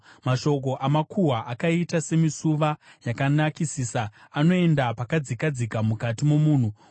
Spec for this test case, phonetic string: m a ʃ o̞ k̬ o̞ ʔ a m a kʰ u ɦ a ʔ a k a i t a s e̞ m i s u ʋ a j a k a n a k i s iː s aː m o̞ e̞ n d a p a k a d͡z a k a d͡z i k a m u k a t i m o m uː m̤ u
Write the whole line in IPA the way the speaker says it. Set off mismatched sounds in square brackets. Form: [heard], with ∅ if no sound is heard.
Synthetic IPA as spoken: m a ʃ o̞ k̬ o̞ ʔ a m a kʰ u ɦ a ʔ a k a i t a s e̞ m i s u ʋ a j a k a n a k i s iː s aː [n] o̞ e̞ n d a p a k a d͡z [i] k a d͡z i k a m u k a t i m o m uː [n̤] u